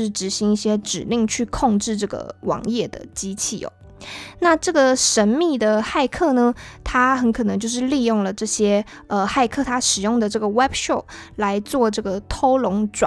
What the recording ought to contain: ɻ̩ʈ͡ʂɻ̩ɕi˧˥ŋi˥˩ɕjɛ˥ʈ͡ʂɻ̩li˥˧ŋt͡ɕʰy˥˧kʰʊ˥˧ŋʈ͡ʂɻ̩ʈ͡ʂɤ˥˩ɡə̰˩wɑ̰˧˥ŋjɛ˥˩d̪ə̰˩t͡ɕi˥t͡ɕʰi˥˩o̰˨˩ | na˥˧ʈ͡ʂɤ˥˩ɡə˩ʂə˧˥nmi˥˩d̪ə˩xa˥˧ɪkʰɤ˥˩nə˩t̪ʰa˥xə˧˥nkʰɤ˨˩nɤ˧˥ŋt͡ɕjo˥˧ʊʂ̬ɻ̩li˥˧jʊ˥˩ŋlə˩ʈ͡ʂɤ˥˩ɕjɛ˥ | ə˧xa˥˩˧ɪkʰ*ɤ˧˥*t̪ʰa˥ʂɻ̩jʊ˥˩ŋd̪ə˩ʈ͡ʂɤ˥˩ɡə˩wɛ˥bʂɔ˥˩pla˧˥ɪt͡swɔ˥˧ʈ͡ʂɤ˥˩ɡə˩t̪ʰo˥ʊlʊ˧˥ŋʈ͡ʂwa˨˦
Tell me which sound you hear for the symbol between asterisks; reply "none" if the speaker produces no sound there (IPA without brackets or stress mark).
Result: ɤ˥˩